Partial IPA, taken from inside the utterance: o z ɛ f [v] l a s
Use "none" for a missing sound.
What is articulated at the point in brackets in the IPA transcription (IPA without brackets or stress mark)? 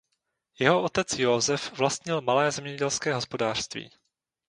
v